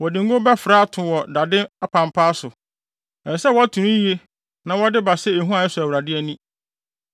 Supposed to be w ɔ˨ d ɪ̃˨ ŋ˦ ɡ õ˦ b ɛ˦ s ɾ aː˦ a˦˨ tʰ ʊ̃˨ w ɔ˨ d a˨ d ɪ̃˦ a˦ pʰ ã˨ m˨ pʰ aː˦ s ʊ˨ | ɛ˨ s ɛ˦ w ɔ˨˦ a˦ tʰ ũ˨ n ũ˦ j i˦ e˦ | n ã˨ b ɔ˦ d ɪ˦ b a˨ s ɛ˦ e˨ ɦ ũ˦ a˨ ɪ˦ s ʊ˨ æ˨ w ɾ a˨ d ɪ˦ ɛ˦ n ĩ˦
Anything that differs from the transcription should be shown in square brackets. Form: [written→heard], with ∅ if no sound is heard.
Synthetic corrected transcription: w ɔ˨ d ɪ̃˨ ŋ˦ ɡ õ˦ b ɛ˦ [s→f] ɾ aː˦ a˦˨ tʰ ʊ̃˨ w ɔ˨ d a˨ d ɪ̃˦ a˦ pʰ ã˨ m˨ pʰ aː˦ s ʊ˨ | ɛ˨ s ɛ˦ w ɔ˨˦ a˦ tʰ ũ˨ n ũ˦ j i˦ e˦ | n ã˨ [b→w] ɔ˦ d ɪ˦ b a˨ s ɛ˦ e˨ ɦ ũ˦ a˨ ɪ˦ s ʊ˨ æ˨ w ɾ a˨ d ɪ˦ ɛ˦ n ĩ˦